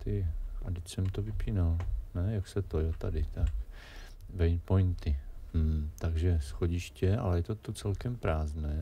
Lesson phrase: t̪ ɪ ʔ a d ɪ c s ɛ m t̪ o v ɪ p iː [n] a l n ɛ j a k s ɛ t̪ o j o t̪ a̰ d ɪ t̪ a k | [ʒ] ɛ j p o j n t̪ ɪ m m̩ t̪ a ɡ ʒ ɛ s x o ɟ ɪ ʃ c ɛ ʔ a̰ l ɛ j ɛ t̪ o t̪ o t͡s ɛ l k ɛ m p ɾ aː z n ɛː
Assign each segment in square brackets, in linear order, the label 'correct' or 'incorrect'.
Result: correct, incorrect: v

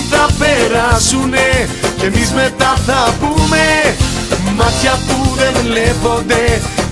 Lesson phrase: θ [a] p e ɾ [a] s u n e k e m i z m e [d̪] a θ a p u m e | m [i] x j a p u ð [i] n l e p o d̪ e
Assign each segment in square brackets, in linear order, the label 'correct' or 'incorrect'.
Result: correct, correct, incorrect: t̪, incorrect: a, incorrect: e

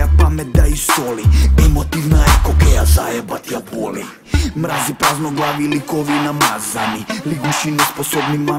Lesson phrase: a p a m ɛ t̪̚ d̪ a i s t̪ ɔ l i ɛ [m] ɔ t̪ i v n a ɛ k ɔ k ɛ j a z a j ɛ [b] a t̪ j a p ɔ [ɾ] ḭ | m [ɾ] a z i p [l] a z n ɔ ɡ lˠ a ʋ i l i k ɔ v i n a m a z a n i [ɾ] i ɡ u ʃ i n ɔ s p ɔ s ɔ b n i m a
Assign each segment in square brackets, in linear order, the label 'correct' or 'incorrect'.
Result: correct, correct, incorrect: l, correct, incorrect: ɾ, incorrect: l

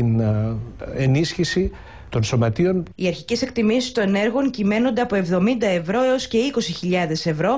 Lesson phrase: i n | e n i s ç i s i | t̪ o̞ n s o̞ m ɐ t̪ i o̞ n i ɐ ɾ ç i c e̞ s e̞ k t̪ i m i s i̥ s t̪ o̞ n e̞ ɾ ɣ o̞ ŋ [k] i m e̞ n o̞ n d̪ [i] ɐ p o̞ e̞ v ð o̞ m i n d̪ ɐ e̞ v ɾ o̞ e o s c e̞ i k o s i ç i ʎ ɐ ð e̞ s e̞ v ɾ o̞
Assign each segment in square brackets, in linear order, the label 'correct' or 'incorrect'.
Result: incorrect: c, incorrect: e

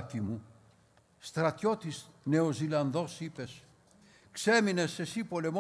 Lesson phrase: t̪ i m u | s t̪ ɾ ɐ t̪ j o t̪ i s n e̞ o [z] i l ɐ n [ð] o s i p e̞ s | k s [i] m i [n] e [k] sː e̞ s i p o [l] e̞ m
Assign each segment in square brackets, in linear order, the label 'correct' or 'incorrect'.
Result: correct, correct, incorrect: e, correct, incorrect: none, correct

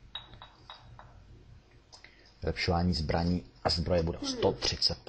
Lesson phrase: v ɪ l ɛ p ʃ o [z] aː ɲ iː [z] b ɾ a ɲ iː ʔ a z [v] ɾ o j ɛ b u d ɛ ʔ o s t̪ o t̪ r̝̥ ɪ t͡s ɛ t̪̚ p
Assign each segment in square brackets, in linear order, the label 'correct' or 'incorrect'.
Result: incorrect: v, correct, incorrect: b

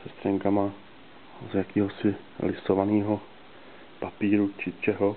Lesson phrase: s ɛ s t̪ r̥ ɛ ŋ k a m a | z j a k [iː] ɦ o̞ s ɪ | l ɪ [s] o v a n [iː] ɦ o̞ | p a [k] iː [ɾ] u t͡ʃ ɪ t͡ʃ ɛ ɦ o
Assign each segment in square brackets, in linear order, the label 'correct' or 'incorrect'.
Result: correct, correct, correct, incorrect: p, correct

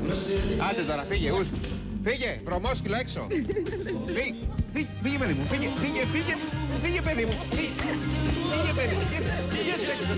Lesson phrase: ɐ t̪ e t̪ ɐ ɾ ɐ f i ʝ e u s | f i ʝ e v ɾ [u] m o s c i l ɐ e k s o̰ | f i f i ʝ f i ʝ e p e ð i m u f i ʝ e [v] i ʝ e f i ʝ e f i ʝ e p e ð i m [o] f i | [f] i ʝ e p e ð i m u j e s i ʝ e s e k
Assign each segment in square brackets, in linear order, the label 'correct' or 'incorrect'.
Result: incorrect: o, incorrect: f, incorrect: u, correct

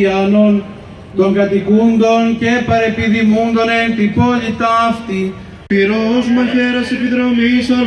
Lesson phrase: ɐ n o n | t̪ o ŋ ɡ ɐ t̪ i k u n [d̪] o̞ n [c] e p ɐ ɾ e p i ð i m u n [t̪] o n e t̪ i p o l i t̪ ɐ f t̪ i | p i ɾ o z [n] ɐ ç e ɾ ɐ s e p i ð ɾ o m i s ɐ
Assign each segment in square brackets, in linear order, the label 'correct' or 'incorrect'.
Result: correct, correct, incorrect: d̪, incorrect: m

